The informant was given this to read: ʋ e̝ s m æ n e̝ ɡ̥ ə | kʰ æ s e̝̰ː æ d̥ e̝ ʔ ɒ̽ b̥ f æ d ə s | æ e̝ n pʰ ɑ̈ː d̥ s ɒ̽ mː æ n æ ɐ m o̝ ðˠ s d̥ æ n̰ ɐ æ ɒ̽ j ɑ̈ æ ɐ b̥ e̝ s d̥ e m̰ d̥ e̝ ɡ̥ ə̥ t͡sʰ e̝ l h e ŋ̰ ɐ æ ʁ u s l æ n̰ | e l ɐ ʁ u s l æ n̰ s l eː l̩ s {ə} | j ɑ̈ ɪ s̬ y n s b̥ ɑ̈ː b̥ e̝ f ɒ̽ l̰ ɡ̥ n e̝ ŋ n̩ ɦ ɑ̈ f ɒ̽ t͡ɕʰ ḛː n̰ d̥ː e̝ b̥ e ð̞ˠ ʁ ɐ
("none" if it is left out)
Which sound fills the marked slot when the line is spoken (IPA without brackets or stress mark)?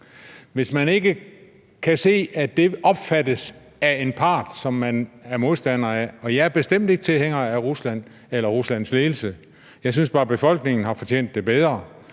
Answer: ə